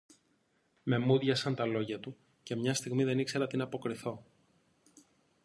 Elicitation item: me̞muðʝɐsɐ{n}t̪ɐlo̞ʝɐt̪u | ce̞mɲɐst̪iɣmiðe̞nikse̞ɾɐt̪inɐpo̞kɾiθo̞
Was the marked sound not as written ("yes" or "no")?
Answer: no